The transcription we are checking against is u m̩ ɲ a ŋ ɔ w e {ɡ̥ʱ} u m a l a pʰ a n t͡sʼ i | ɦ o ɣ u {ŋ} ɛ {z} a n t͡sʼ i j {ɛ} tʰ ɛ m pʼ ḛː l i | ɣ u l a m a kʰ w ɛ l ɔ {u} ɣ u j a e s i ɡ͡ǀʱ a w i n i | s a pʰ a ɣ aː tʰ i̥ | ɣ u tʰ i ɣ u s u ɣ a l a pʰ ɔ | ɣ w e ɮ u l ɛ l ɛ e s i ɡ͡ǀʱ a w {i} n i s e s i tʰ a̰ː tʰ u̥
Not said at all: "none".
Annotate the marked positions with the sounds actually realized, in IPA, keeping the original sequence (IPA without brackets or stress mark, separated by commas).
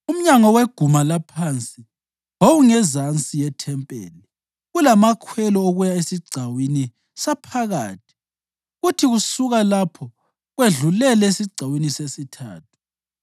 ɡ̥ʱ, ŋ, z, ɛ, o, i